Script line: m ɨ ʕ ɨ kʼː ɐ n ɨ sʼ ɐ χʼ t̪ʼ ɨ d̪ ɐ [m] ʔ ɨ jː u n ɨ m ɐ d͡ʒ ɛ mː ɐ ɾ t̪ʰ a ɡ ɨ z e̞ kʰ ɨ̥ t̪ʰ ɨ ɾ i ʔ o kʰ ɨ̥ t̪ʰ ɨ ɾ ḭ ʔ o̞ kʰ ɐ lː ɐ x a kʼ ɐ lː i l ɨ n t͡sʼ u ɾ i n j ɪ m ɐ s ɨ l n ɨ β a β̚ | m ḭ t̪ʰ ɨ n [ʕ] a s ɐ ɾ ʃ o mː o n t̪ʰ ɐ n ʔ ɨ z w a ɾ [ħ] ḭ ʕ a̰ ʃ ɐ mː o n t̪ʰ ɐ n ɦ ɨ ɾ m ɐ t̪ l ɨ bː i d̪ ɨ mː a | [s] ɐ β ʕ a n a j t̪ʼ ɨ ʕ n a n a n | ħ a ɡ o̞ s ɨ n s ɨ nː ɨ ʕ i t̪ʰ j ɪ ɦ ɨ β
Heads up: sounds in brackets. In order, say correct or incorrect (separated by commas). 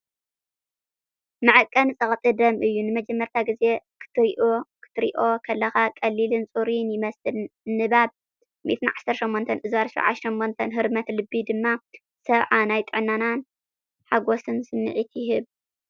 correct, correct, incorrect, correct